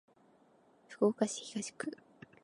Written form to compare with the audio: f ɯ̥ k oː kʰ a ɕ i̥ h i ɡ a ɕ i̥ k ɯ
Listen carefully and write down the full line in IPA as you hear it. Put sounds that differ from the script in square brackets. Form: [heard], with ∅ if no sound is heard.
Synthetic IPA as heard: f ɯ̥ k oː [k] a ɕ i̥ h i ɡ a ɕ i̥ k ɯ